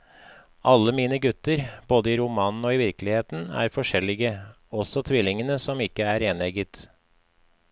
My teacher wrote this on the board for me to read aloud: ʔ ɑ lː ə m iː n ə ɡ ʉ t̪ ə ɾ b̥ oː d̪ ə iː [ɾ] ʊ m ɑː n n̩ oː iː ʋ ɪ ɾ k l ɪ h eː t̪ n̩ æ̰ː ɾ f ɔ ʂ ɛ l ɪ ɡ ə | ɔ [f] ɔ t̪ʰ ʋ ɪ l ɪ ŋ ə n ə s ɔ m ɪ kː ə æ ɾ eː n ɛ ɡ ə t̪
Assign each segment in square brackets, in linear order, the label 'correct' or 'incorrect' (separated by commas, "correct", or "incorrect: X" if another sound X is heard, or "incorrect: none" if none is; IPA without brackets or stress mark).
correct, incorrect: s